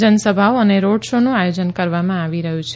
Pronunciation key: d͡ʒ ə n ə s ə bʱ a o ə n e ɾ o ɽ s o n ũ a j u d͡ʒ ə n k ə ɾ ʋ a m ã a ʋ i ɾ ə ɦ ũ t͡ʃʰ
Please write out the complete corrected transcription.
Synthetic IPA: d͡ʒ ə n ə s ə bʱ a o ə n e ɾ o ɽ ʃ o n ũ a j o d͡ʒ ə n k ə ɾ ʋ a m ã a ʋ i ɾ ə ɦ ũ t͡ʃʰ